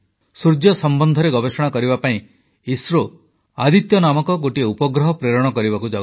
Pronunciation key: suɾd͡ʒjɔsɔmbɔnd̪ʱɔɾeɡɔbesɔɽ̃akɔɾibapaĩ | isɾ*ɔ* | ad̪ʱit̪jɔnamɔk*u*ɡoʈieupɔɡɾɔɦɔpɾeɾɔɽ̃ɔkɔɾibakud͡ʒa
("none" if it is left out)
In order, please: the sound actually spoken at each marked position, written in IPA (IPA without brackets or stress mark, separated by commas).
o, ɔ